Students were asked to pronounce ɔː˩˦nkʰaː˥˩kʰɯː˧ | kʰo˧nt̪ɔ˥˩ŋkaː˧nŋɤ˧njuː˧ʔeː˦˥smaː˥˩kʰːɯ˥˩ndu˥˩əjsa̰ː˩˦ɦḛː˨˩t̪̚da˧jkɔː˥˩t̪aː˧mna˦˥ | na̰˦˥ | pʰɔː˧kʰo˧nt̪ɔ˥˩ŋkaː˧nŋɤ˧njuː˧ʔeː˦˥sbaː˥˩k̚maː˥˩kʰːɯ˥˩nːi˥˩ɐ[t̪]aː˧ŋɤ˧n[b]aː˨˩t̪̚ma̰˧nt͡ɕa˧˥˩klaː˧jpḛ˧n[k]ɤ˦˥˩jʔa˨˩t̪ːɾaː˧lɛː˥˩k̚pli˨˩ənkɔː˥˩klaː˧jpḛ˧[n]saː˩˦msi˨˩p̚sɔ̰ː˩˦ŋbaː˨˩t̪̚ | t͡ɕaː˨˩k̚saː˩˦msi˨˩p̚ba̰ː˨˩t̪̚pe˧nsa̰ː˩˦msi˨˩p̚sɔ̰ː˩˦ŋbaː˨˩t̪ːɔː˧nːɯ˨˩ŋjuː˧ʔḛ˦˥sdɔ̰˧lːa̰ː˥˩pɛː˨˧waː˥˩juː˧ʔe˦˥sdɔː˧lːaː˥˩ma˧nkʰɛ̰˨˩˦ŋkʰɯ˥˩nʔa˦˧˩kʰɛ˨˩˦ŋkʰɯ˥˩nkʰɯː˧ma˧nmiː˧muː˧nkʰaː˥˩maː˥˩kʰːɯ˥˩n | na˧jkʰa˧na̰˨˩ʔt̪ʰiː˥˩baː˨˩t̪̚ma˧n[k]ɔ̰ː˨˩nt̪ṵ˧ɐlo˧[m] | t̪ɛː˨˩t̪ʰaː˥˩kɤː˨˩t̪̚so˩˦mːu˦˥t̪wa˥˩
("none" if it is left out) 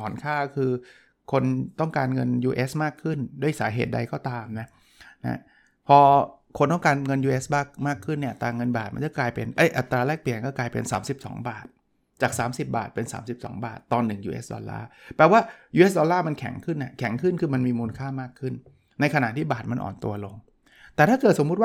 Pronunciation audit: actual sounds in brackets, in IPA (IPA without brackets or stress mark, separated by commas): t̪, b, ʔ, n, ʔ, ŋ